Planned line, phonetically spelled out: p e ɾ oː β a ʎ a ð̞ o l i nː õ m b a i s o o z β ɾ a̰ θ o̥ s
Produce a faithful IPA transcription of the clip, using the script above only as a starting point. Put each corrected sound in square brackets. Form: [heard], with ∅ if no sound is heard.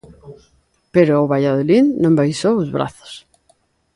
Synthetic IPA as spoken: p e ɾ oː β a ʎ a ð̞ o l i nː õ m b a [j] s o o z β ɾ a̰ θ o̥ s